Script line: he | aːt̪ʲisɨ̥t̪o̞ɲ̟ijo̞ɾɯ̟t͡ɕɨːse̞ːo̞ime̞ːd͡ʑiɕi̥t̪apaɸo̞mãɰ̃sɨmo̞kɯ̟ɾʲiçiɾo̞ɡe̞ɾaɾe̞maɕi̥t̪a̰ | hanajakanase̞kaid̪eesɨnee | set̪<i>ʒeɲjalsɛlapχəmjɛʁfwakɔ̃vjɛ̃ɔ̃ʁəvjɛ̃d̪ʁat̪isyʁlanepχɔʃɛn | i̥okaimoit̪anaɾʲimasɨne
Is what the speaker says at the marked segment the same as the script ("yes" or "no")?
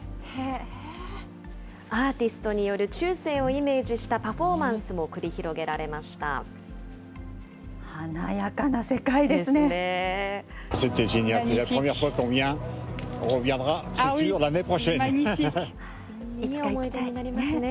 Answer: no